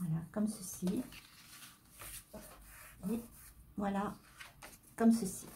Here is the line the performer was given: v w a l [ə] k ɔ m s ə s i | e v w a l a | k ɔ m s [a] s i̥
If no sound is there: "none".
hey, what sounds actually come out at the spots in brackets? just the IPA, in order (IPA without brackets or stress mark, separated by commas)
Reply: a, ə